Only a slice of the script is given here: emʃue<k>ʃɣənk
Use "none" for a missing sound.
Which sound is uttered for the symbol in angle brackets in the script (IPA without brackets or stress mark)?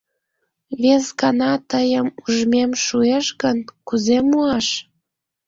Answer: none